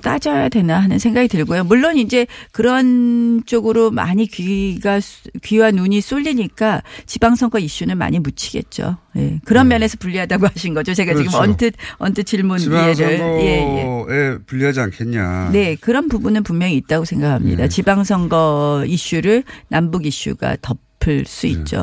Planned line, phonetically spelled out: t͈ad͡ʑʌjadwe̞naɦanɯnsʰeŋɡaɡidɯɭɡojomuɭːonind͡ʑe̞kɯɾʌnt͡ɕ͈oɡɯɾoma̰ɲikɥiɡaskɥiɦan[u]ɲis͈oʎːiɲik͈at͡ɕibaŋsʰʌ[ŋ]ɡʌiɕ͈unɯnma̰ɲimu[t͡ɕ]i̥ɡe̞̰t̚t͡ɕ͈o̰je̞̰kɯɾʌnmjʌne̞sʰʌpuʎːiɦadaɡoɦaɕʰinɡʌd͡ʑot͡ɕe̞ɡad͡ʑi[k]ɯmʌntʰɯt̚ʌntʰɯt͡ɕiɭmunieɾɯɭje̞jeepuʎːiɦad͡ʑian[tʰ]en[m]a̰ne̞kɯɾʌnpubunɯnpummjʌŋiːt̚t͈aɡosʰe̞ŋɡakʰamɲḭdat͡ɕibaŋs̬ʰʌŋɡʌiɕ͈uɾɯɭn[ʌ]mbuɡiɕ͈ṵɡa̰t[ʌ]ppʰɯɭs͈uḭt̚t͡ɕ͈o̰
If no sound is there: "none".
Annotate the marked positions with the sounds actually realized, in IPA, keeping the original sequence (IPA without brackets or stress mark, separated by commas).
u, ŋ, t͡ɕʰ, ɡ, kʰ, ɲ, a, ʌ